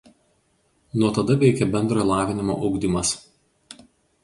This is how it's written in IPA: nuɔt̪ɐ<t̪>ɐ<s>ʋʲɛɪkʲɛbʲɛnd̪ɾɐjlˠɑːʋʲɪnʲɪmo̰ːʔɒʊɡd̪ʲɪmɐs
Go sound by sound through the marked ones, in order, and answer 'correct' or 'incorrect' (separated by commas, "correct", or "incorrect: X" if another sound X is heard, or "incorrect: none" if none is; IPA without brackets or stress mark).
incorrect: d̪, incorrect: none